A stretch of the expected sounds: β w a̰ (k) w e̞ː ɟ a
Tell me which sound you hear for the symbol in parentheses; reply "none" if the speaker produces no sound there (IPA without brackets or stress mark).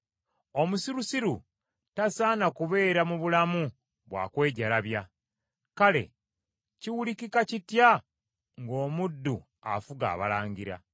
k